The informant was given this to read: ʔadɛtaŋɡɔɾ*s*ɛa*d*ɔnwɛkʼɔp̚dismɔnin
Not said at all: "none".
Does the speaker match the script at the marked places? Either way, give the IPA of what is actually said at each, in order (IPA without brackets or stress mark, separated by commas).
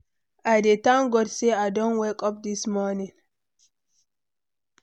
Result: s, d